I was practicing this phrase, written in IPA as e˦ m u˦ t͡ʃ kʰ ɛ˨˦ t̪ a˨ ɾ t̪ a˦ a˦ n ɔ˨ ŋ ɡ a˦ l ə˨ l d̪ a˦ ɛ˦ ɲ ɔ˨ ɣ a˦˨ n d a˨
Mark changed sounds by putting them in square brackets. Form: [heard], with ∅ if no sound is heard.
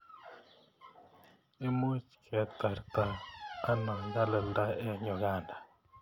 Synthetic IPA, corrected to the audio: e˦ m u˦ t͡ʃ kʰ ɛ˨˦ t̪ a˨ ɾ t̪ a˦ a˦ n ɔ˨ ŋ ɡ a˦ l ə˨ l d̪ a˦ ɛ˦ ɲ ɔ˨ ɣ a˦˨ n d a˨